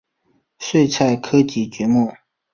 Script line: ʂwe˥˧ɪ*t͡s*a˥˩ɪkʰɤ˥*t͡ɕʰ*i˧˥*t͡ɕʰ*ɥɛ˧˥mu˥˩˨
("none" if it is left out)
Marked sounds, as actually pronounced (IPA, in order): t͡sʰ, t͡ɕ, t͡ɕ

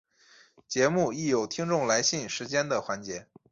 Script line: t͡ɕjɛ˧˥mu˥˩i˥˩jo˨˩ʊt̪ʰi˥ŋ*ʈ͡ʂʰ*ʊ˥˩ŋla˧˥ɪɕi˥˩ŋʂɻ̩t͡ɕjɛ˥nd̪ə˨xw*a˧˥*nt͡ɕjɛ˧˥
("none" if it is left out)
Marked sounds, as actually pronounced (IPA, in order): ʈ͡ʂ, a˧˥

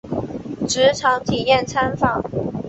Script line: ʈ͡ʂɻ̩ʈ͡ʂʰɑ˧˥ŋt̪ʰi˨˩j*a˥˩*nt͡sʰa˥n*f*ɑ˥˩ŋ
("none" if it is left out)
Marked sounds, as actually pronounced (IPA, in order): ɛ˥˩, f

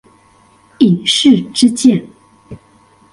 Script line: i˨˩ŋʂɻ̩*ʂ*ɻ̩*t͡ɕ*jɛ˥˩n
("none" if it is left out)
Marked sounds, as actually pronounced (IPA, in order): ʈ͡ʂ, t͡ɕ

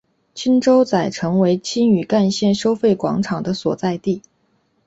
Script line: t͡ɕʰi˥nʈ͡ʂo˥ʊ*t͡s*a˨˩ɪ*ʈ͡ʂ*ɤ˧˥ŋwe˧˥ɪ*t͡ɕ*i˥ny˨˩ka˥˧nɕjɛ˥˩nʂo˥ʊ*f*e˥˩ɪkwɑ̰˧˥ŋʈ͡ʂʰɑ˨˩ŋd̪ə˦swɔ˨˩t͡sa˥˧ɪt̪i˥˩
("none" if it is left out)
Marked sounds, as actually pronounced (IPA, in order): t͡s, ʈ͡ʂʰ, t͡ɕʰ, f

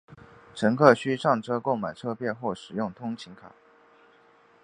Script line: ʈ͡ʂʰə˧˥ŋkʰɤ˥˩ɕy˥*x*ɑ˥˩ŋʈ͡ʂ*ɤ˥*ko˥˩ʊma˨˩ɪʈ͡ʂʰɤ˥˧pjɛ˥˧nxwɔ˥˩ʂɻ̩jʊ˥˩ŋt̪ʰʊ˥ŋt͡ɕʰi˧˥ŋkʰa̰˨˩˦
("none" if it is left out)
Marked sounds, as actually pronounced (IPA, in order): ʂ, ɤ˥

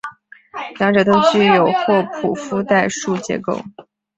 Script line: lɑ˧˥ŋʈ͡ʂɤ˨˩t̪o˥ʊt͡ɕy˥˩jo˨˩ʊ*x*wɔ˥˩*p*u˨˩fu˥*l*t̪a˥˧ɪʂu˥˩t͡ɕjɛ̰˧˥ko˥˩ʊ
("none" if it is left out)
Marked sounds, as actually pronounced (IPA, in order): x, pʰ, none

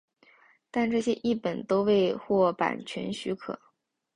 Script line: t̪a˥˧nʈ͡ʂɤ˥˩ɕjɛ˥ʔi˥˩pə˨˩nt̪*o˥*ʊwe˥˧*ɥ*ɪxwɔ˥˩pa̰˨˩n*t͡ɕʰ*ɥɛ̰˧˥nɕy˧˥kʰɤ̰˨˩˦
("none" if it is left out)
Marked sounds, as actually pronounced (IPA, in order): o˥, none, t͡ɕʰ

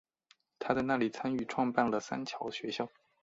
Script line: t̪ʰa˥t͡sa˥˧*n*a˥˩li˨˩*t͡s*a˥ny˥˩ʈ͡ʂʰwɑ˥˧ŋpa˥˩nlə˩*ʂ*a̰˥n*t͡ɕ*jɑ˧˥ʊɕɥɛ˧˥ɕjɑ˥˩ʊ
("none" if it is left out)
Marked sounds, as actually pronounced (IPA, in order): n, t͡sʰ, s, t͡ɕʰ

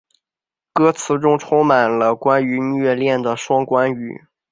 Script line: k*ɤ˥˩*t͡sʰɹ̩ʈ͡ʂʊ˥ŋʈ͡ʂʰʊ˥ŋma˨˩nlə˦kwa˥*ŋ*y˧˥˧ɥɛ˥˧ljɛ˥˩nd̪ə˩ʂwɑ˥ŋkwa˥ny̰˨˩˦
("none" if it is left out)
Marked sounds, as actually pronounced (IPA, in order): ɤ˥, n

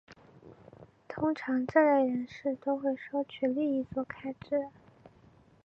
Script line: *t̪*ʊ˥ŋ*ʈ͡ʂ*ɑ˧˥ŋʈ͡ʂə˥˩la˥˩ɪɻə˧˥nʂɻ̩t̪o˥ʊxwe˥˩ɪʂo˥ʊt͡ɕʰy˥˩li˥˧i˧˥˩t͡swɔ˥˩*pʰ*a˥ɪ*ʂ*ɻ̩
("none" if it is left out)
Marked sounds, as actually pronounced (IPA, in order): t̪ʰ, ʈ͡ʂʰ, kʰ, ʈ͡ʂ

